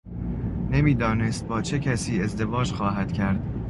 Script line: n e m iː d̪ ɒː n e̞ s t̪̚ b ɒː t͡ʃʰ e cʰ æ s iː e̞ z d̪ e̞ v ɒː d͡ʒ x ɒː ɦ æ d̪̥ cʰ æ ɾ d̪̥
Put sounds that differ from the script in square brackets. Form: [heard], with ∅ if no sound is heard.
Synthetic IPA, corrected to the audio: n e m iː d̪ ɒː n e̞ s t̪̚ b ɒː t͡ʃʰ e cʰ æ s iː e̞ z d̪ e̞ v ɒː d͡ʒ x ɒː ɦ æ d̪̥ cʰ æ ɾ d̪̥